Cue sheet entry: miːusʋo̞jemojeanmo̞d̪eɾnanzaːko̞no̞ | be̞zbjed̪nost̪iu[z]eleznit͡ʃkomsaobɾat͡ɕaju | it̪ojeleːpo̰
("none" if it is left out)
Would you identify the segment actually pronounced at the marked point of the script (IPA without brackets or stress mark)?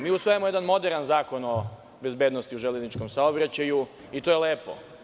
ʒ